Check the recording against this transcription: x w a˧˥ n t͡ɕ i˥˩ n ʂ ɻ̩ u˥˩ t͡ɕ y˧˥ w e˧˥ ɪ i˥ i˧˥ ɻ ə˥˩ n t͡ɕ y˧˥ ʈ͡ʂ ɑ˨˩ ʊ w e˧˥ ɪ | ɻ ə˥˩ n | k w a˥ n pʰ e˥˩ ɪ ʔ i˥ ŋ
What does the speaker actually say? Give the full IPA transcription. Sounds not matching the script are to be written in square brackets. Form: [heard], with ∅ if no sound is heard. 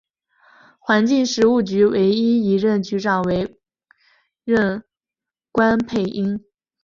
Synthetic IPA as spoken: x w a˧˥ n t͡ɕ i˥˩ [ŋ] ʂ ɻ̩ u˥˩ t͡ɕ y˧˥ w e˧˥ ɪ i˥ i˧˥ ɻ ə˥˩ n t͡ɕ y˧˥ ʈ͡ʂ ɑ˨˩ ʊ w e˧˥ ɪ | ɻ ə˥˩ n | k w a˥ n pʰ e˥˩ ɪ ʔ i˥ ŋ